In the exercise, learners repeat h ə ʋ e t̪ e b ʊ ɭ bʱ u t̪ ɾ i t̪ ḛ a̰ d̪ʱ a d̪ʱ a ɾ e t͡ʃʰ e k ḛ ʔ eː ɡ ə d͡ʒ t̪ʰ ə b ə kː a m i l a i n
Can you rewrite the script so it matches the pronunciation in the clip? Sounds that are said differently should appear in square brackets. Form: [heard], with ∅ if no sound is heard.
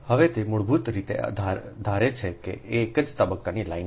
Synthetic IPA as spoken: h ə ʋ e t̪ e [m] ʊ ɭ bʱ u t̪ ɾ i t̪ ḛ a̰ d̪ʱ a d̪ʱ a ɾ e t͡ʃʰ e k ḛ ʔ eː [k] ə d͡ʒ [t̪] ə b ə kː a [n] i l a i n